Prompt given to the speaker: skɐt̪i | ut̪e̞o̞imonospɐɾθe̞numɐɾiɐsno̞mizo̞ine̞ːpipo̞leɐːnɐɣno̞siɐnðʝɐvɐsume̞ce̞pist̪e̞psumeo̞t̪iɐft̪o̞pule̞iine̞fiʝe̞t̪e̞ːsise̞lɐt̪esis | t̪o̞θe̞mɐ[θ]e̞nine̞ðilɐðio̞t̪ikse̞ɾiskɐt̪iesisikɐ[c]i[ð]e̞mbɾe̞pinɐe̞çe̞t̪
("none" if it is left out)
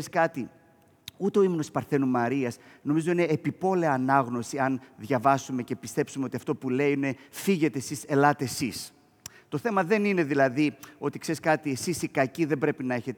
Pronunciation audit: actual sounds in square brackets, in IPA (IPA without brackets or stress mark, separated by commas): ð, c, ð